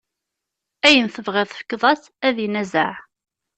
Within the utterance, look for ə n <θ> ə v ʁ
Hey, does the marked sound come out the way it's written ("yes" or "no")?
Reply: yes